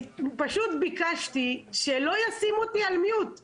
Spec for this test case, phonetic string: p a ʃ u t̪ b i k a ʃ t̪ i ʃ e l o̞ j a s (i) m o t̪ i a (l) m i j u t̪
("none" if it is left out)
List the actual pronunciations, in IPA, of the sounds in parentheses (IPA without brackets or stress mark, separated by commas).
i, l